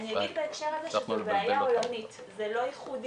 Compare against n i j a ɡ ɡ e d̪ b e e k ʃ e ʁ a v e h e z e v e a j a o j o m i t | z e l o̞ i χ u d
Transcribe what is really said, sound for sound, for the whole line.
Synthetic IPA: n i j a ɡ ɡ i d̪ b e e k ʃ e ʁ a z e ʃ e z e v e a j a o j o n i t | z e l o̞ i χ u d